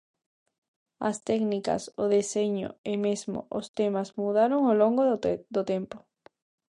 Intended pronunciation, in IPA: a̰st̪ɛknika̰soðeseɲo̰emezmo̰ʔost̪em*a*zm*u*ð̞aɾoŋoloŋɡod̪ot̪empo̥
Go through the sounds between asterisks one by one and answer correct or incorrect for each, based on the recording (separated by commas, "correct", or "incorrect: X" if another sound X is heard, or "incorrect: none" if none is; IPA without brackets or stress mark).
correct, correct